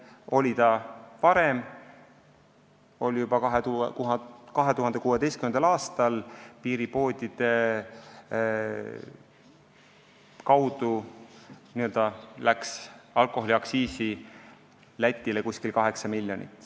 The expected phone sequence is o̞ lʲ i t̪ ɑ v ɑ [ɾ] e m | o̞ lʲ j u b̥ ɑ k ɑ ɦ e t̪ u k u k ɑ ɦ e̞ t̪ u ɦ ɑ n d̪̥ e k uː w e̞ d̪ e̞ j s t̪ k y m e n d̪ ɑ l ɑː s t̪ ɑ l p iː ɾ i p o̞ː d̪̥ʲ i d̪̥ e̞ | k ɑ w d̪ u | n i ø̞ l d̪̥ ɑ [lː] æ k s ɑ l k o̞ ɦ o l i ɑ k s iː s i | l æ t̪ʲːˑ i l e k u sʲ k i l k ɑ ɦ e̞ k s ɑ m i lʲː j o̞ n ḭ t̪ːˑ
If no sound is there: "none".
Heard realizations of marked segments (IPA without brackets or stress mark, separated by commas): ɾ, l